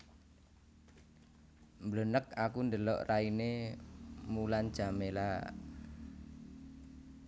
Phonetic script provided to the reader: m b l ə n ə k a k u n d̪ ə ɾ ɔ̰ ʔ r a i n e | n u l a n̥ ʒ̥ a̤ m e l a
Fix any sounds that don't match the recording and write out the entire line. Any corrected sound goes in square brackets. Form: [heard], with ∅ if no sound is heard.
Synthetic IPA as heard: m b l ə n ə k a k u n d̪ ə [l] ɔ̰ ʔ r a i n e | [m] u l a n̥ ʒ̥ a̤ m e l a